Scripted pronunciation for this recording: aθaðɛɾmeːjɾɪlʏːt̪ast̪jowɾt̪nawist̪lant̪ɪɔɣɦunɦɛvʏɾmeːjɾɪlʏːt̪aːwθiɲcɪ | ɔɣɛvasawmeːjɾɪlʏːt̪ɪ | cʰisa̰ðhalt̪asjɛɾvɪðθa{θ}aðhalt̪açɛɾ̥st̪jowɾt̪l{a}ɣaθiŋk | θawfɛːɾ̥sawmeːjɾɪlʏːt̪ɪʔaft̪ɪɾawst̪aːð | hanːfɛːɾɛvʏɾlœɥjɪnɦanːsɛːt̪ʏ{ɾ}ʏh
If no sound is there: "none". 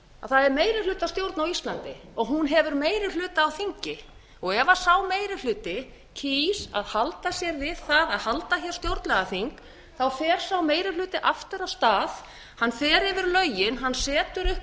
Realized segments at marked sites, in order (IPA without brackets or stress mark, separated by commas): ð, ɛ, ɾ